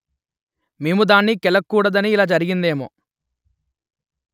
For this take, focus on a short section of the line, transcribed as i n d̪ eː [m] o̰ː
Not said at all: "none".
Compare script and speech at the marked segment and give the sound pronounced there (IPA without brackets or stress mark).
m